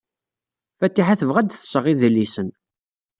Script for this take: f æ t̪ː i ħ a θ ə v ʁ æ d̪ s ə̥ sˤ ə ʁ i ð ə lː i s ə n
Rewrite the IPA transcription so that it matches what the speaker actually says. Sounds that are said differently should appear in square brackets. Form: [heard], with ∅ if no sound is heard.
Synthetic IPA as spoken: f æ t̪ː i ħ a θ ə v ʁ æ d̪ [θ] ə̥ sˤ ə ʁ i ð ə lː i s ə n